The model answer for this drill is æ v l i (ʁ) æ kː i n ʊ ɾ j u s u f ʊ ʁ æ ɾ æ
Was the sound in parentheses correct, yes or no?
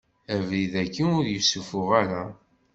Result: no